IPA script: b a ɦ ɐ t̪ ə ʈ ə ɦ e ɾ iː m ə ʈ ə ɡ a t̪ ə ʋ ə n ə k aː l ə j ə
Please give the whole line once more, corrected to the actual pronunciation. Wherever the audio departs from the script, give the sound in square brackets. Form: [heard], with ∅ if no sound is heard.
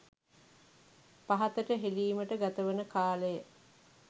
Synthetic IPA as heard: [p] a ɦ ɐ t̪ ə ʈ ə ɦ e [l] iː m ə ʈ ə ɡ a t̪ ə ʋ ə n ə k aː l ə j ə